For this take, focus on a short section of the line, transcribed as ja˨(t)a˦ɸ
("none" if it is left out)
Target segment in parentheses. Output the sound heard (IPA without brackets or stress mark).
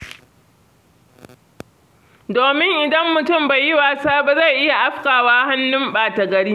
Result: ʔ